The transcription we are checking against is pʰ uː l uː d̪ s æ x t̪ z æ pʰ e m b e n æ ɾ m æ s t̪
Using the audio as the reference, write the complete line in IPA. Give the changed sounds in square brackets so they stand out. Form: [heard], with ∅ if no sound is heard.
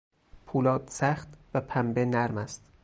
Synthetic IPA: pʰ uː l [ɒː] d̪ s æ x t̪ [v] æ pʰ [æ] m b e n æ ɾ m æ s t̪